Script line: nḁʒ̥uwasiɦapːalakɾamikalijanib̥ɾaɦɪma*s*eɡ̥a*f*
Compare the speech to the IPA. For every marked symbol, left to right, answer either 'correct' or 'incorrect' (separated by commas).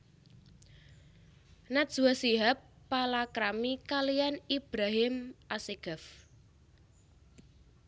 correct, correct